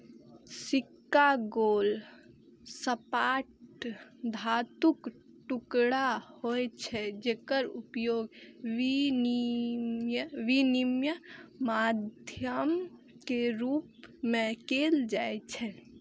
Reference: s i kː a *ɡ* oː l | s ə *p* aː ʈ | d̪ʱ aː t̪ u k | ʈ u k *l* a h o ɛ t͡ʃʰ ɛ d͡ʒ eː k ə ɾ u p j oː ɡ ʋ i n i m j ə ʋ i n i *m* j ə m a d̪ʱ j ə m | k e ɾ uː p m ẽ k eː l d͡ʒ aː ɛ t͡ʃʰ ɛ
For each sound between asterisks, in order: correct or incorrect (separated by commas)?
correct, correct, incorrect, correct